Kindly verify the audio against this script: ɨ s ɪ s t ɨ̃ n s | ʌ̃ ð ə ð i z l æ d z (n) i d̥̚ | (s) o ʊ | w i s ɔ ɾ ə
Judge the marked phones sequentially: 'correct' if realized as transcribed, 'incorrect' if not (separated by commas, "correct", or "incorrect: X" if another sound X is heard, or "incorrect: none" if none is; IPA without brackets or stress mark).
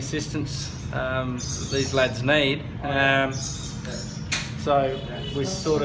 correct, correct